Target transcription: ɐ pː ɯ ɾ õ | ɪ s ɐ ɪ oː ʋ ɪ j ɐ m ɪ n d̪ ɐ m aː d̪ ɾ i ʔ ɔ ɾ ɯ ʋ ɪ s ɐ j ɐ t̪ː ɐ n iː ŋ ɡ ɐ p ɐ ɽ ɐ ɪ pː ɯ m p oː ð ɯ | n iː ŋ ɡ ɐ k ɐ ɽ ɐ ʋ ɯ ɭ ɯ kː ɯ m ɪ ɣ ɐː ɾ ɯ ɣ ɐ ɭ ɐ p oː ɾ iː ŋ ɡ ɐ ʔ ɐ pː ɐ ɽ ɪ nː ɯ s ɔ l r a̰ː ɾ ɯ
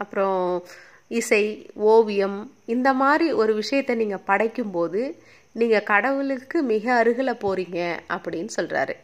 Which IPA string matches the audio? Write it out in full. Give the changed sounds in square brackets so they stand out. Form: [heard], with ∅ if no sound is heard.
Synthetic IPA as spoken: ɐ pː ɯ ɾ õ | ɪ s ɐ ɪ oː ʋ ɪ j ɐ m ɪ n d̪ ɐ m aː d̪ ɾ i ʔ ɔ ɾ ɯ ʋ ɪ [ʂ] ɐ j ɐ t̪ː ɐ n iː ŋ ɡ ɐ p ɐ ɽ ɐ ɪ [kː] ɯ m p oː ð ɯ | n iː ŋ ɡ ɐ k ɐ ɽ ɐ ʋ ɯ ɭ ɯ kː ɯ m ɪ ɣ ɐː ɾ ɯ ɣ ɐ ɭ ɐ p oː ɾ iː ŋ ɡ ɐ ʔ ɐ pː ɐ ɽ ɪ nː ɯ s ɔ l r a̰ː ɾ ɯ